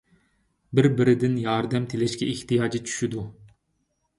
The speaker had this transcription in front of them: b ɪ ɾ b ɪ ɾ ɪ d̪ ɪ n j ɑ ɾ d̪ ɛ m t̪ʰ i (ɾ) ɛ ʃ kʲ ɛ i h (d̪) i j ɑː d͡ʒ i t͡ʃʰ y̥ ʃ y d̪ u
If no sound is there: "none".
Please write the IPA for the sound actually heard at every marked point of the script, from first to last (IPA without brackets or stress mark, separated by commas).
l, t̪